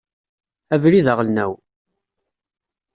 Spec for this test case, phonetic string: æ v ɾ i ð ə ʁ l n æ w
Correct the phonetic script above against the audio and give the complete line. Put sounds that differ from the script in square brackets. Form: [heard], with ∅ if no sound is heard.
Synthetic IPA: æ v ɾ i ð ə ʁ l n æ w